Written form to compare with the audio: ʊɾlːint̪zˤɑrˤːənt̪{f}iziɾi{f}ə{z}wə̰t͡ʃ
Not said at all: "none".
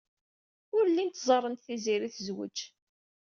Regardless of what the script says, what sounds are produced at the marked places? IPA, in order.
θ, θ, z

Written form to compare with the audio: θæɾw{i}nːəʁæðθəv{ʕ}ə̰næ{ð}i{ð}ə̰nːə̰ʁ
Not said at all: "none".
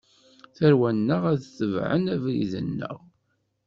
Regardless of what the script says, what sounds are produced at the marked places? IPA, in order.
æ, ʕ, v, ð

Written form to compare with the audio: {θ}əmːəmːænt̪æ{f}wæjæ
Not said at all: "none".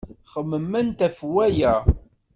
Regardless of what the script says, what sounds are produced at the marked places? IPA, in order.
χ, f

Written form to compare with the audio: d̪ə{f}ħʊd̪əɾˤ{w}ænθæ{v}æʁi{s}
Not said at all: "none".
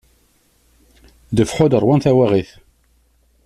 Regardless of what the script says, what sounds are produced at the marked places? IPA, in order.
f, w, w, θ

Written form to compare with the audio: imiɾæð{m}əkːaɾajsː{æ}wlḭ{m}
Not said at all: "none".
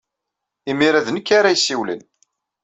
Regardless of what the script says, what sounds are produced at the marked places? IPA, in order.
n, i, n

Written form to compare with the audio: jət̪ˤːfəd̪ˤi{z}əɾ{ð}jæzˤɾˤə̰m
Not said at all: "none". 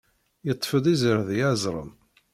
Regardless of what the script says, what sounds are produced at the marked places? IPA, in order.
z, ð

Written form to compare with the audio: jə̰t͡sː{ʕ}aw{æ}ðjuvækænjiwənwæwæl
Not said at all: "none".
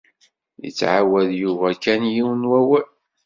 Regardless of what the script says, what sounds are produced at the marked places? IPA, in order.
ʕ, æ

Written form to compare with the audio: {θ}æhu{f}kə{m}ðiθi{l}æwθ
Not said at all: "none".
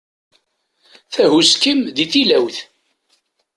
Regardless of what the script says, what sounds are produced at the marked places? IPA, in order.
θ, s, m, l

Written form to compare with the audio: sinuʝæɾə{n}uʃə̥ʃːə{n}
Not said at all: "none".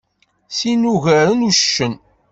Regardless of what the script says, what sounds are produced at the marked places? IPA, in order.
n, n

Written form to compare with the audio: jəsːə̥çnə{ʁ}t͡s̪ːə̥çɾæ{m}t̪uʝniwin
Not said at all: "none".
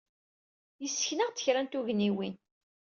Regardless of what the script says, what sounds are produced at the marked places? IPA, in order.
ʁ, n

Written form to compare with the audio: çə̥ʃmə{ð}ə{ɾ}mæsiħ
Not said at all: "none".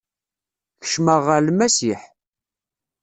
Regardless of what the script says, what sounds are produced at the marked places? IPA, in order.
ʁ, l

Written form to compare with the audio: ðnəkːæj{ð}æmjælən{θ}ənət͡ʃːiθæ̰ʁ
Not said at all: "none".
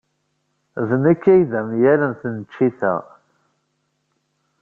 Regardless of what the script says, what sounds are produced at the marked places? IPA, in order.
ð, θ

